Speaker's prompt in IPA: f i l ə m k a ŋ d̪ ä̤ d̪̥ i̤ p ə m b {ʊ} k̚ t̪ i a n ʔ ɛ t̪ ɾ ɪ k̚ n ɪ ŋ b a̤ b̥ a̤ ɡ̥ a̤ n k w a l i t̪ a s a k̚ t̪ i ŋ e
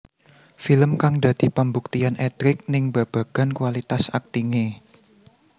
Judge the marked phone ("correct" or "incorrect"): incorrect